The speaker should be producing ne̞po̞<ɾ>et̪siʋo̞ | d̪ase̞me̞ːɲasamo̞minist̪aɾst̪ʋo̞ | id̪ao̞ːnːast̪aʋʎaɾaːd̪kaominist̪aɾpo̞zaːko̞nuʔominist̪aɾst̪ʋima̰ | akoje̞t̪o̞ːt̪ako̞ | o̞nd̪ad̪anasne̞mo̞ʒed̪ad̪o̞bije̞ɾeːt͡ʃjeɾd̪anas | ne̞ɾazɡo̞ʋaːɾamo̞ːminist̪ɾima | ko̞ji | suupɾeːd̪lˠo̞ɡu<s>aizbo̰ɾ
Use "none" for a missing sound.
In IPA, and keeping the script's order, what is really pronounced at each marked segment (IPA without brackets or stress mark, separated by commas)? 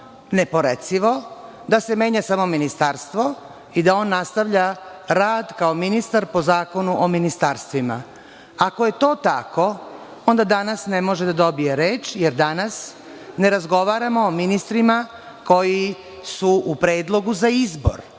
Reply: ɾ, z